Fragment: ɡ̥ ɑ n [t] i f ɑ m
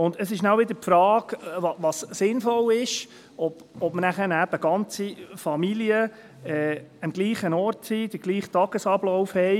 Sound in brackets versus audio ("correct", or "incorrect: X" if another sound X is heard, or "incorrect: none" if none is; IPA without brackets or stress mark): incorrect: t͡s